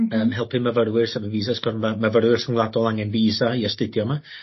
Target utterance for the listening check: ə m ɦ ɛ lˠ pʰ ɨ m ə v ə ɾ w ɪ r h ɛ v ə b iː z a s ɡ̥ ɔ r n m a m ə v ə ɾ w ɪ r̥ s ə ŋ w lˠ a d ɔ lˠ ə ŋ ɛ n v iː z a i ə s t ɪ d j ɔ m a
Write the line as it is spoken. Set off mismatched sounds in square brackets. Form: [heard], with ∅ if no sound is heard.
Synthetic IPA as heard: ə m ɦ ɛ lˠ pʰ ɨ m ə v ə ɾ w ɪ r [s] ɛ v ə [v] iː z a s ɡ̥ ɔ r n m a m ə v ə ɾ w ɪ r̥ s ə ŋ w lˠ a d ɔ lˠ [a] ŋ ɛ n v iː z a i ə s t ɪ d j ɔ m a